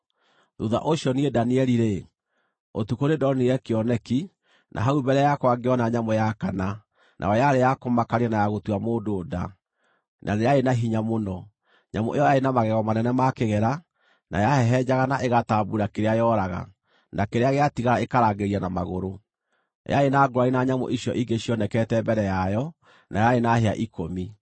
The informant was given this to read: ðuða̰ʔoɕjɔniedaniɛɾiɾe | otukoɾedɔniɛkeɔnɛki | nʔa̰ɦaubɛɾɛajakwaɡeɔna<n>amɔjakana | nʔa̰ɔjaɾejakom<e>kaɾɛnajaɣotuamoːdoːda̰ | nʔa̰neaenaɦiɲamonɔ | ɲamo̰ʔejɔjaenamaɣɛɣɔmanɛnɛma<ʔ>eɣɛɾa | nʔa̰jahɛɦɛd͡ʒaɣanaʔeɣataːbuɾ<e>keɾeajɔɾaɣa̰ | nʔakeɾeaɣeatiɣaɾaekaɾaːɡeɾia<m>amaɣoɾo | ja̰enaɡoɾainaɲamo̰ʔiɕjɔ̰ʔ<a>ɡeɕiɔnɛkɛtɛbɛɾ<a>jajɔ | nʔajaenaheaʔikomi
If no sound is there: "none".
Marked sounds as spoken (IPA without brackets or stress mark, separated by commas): ɲ, a, k, a, n, i, ɛ